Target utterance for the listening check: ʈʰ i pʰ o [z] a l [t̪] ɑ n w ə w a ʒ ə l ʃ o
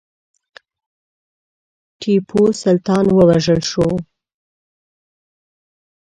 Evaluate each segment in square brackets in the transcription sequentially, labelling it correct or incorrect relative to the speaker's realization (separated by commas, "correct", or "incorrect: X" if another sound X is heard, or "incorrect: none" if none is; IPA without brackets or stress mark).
incorrect: s, correct